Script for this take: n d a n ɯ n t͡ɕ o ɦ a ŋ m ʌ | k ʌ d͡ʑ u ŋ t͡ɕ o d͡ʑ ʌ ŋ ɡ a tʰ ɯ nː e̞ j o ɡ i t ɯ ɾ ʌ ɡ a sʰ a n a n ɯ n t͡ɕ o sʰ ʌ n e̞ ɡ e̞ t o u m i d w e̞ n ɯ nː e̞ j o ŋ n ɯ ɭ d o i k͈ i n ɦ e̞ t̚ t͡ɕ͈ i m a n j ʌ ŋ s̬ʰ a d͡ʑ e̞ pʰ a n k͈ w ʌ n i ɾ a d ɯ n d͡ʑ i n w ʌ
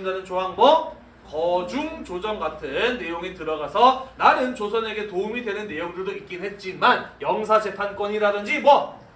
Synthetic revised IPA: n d a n ɯ n t͡ɕ o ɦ a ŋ m ʌ | k ʌ d͡ʑ u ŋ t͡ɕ o d͡ʑ ʌ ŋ ɡ a tʰ ɯ nː e̞ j o ŋ i t ɯ ɾ ʌ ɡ a sʰ ʌ n a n ɯ n t͡ɕ o sʰ ʌ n e̞ ɡ e̞ t o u m i d w e̞ n ɯ nː e̞ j o ŋ d ɯ ɭ d o i k͈ i n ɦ e̞ t̚ t͡ɕ͈ i m a n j ʌ ŋ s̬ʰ a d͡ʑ e̞ pʰ a n k͈ w ʌ ɲ i ɾ a d ɯ n d͡ʑ i m w ʌ